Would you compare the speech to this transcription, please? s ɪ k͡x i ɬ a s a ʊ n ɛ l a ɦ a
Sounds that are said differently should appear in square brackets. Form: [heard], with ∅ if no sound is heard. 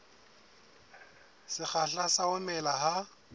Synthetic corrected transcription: s ɪ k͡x [a] ɬ a s a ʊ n ɛ l a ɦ a